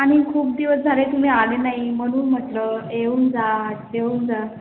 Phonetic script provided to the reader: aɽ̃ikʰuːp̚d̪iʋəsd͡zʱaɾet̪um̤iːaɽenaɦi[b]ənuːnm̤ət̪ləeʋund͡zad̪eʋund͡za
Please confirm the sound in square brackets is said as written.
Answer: no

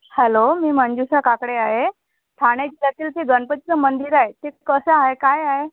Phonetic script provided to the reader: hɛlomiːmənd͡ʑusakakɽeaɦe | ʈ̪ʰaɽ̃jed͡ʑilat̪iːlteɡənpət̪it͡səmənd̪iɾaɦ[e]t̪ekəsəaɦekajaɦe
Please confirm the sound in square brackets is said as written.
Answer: yes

